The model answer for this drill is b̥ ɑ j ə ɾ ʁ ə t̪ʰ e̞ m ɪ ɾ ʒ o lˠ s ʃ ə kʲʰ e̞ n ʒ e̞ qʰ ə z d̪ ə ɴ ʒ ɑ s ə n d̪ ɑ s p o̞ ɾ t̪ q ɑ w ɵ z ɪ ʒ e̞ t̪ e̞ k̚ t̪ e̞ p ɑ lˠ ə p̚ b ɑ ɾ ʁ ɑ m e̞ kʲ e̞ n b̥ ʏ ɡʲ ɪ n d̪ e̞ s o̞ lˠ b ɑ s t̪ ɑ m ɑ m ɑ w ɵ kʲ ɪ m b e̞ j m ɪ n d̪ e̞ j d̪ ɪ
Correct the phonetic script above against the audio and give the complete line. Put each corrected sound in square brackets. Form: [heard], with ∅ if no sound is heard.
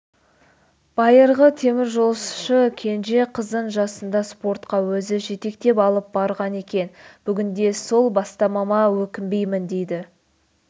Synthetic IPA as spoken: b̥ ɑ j ə ɾ ʁ ə t̪ʰ e̞ m ɪ ɾ ʒ o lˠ s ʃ ə kʲʰ e̞ n ʒ e̞ qʰ ə z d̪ ə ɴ ʒ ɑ s ə n d̪ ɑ s p o̞ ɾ t̪ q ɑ w ɵ z ɪ ʒ e̞ t̪ e̞ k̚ t̪ e̞ p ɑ lˠ ə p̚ b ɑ ɾ ʁ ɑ [n] e̞ kʲ e̞ n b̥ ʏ ɡʲ ɪ n d̪ e̞ s o̞ lˠ b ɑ s t̪ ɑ m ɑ m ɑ w ɵ kʲ ɪ m b e̞ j m ɪ n d̪ e̞ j d̪ ɪ

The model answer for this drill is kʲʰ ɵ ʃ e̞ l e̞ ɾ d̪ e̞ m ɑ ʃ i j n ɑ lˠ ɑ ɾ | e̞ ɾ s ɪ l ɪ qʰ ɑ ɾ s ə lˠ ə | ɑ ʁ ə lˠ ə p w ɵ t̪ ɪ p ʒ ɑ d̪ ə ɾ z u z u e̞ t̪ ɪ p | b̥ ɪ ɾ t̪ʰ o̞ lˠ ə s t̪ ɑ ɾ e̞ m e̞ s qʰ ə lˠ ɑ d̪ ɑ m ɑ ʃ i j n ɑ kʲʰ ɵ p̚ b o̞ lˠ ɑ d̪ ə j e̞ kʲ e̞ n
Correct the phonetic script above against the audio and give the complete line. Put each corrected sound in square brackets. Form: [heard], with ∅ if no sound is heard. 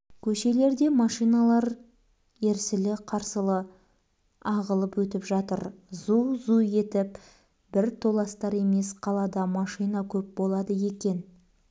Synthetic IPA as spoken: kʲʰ ɵ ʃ e̞ l e̞ ɾ d̪ e̞ m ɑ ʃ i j n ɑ lˠ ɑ ɾ | e̞ ɾ s ɪ l ɪ qʰ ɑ ɾ s ə lˠ ə | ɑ ʁ ə lˠ ə p w ɵ t̪ ɪ p ʒ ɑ [t̪] ə ɾ z u z u e̞ t̪ ɪ p | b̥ ɪ ɾ t̪ʰ o̞ lˠ [ɑ] s t̪ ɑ ɾ e̞ m e̞ s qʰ [ɑ] lˠ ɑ d̪ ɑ m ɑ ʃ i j n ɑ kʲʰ ɵ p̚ b o̞ lˠ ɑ d̪ ə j e̞ kʲ e̞ n

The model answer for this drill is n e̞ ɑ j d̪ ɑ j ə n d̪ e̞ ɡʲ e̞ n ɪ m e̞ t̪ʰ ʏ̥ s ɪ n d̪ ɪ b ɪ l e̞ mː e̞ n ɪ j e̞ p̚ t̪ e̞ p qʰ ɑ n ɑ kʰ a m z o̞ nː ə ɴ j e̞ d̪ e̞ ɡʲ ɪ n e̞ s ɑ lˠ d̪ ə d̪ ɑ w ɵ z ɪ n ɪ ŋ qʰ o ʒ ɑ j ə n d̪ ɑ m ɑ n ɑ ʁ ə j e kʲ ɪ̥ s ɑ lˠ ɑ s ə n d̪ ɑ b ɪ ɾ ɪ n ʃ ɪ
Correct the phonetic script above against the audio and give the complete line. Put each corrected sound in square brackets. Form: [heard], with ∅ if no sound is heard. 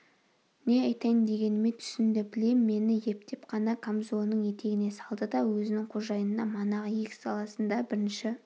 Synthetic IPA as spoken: n e̞ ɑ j [t̪] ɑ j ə n d̪ e̞ ɡʲ e̞ n ɪ m e̞ t̪ʰ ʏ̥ s ɪ n d̪ ɪ b ɪ l e̞ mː e̞ n ɪ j e̞ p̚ t̪ e̞ p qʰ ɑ n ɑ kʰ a m z o̞ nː ə ɴ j e̞ [t̪] e̞ ɡʲ ɪ n e̞ s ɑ lˠ d̪ ə d̪ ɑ w ɵ z ɪ n ɪ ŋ qʰ o ʒ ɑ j ə n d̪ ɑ m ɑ n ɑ ʁ ə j e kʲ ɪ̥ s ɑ lˠ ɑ s ə n d̪ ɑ b ɪ ɾ ɪ n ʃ ɪ

